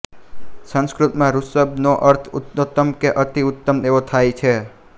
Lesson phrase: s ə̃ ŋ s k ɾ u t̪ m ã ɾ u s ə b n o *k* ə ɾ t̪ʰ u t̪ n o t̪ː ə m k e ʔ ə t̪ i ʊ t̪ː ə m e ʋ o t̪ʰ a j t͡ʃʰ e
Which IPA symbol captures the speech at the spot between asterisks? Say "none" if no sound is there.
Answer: ʔ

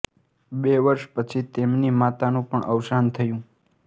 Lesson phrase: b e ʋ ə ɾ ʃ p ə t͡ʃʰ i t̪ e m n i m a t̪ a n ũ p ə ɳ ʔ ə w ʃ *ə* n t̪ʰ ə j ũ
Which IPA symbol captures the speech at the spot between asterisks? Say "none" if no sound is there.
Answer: a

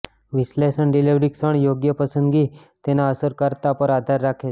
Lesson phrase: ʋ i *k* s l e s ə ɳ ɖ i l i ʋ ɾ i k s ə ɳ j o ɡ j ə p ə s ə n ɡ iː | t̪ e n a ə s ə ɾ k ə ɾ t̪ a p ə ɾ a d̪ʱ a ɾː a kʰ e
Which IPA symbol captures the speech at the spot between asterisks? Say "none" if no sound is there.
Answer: none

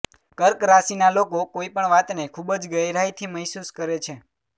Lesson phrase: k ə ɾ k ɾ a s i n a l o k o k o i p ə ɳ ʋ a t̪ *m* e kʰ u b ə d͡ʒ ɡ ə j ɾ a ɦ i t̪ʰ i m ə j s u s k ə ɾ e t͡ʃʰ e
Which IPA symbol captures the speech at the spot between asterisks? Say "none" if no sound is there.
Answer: n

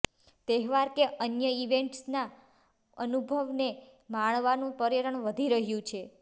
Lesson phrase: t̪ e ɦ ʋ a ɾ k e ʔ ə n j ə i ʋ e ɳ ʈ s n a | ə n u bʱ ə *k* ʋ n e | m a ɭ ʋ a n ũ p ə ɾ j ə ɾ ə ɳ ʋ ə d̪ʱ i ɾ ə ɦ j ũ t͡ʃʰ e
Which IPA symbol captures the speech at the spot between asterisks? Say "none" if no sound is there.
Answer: none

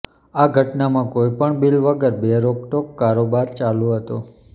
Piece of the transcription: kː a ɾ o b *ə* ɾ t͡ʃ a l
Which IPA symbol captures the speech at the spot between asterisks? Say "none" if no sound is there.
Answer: a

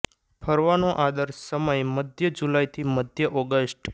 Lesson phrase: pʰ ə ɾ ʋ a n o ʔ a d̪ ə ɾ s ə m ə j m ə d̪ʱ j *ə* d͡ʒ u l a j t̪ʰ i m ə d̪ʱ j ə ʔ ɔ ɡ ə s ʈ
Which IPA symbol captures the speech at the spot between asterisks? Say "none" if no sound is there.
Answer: ə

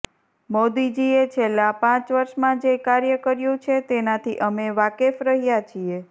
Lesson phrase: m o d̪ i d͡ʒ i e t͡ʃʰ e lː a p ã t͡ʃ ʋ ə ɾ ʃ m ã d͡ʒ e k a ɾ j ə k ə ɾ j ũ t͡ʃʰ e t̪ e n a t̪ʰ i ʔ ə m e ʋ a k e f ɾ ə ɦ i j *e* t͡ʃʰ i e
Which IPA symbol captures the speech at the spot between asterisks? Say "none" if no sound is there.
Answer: a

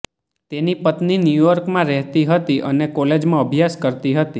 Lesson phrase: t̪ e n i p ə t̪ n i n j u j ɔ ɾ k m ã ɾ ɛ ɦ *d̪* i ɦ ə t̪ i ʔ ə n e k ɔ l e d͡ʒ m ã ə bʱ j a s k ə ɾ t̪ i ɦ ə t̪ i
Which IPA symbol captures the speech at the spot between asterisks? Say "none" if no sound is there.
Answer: t̪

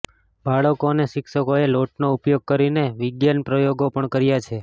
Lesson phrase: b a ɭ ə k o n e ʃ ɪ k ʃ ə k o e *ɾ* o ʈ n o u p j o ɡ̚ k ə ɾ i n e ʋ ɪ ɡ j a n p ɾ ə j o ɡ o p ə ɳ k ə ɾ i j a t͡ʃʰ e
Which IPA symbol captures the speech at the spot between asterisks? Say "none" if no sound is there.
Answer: l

